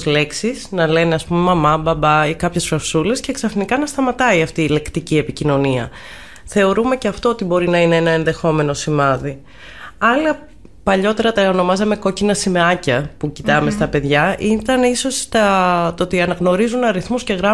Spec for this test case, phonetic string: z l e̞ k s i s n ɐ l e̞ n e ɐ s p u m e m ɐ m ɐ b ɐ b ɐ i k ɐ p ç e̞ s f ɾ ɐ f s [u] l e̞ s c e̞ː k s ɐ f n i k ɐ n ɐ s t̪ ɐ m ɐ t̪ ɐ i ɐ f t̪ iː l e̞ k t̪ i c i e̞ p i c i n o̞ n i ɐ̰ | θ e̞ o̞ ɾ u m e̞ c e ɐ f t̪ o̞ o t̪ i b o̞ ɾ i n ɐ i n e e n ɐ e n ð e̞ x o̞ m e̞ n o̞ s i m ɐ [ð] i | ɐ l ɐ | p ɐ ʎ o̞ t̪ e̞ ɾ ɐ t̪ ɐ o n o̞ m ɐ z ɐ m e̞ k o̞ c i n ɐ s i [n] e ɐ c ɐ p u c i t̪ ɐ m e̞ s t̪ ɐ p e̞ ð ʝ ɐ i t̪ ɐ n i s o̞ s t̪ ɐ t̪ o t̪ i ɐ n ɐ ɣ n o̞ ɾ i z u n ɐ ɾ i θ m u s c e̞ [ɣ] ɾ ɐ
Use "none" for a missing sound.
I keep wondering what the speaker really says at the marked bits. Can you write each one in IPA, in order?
u, ð, m, ɣ

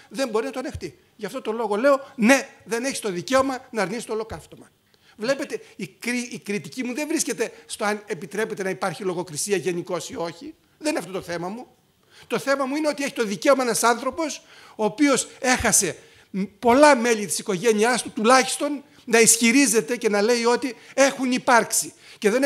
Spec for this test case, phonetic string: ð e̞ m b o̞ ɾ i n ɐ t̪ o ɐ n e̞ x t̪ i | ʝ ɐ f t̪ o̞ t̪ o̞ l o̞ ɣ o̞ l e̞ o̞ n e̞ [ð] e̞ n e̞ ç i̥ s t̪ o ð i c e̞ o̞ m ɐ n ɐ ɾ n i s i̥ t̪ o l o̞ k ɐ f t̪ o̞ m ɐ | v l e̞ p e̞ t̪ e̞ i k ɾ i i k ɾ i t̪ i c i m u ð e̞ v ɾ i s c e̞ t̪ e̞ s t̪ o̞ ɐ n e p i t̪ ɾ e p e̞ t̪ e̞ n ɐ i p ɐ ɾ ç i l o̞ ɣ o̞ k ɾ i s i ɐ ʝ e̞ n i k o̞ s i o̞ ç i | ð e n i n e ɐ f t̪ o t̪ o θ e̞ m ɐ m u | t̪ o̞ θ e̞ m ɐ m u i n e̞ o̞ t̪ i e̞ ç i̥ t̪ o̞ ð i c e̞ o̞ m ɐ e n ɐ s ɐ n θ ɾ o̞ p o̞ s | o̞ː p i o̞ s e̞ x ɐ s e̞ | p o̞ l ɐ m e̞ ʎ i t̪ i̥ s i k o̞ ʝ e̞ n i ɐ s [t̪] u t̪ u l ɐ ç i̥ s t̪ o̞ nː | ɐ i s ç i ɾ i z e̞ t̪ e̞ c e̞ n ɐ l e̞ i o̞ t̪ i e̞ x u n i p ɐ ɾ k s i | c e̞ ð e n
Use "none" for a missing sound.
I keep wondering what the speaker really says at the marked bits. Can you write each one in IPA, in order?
ð, t̪

